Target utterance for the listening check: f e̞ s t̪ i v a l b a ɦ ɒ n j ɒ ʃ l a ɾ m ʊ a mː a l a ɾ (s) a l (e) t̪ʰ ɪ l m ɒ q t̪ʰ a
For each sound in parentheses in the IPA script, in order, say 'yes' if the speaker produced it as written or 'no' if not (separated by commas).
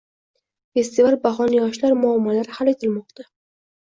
no, yes